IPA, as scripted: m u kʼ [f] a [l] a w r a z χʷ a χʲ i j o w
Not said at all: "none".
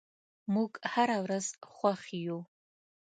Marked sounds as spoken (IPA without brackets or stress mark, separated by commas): ħ, ɾ